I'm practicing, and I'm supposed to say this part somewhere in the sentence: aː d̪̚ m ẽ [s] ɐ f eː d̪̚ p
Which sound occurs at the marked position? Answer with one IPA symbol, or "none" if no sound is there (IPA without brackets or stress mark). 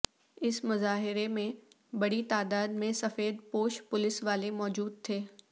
s